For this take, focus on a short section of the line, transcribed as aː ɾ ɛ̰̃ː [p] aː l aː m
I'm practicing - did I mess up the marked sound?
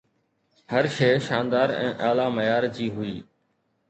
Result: yes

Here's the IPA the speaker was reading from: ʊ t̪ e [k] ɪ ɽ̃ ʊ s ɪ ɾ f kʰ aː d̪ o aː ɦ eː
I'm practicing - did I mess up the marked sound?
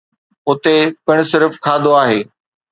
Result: yes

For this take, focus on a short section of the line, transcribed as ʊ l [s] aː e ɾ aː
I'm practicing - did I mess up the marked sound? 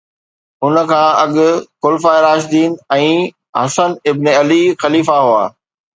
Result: yes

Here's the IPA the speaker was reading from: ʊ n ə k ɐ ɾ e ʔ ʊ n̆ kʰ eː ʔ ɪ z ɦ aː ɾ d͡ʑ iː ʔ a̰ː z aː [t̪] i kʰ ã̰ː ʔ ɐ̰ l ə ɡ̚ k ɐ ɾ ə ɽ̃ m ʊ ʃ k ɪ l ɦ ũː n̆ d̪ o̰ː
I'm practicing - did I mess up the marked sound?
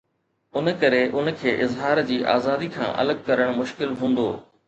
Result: yes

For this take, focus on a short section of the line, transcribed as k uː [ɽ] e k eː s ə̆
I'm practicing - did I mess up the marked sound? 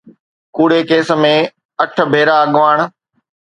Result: no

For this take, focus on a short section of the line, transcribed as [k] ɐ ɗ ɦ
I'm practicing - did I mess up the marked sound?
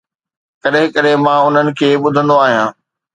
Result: no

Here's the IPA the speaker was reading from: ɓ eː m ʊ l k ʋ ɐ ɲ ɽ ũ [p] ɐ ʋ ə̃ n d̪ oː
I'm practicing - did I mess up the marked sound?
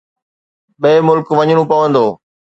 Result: no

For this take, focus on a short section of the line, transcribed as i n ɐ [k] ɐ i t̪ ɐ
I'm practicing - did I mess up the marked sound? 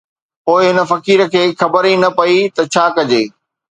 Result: yes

